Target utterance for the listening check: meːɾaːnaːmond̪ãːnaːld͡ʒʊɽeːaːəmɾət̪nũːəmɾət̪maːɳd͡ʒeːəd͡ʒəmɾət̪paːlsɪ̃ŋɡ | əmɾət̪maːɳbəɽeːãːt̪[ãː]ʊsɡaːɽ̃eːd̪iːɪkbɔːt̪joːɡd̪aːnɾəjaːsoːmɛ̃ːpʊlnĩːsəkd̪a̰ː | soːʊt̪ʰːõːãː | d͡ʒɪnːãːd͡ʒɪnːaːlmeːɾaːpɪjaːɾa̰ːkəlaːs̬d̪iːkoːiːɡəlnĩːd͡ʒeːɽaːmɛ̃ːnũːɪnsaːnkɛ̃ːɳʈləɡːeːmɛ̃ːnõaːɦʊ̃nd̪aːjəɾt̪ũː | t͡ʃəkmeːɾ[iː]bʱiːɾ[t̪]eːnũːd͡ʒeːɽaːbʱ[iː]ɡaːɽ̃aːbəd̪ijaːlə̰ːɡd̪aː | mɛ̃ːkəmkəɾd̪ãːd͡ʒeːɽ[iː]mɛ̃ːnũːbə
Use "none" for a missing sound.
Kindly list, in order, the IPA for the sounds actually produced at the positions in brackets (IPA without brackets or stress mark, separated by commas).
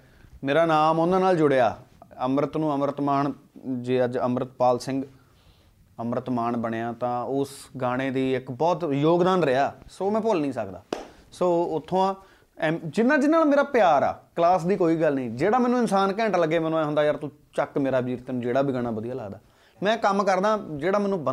ãː, aː, t̪, iː, aː